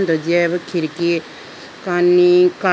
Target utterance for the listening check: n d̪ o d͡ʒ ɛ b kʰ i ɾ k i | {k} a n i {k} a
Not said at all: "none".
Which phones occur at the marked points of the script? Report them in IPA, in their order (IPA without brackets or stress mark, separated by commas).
k, k